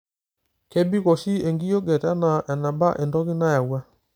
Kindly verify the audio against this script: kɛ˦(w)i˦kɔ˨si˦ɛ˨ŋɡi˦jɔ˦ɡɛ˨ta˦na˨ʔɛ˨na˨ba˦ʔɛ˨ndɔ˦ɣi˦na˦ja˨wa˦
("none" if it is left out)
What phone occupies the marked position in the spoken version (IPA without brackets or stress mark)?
b